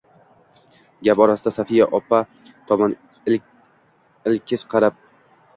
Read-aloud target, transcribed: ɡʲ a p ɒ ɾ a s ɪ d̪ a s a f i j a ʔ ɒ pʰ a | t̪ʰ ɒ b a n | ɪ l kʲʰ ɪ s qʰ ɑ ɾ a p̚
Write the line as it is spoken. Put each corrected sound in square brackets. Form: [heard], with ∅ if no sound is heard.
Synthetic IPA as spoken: ɡʲ a p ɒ ɾ a s ɪ d̪ a s a f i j a ʔ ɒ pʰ a | t̪ʰ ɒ [m] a n | ɪ l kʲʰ ɪ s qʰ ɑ ɾ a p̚